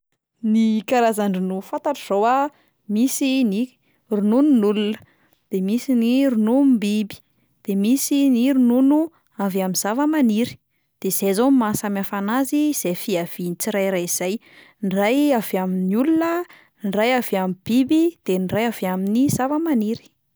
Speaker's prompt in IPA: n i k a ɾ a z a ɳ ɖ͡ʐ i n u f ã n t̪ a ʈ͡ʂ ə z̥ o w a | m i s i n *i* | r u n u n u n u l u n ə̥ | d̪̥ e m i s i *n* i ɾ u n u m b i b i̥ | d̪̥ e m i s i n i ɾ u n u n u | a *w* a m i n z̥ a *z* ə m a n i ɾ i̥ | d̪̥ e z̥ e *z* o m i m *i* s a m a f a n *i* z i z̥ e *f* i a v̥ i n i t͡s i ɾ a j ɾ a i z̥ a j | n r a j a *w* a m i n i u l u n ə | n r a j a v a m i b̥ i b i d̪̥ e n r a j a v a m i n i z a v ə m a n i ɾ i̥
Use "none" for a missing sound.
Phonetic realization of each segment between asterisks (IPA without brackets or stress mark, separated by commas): i, n, v, v, z, a, a, f, v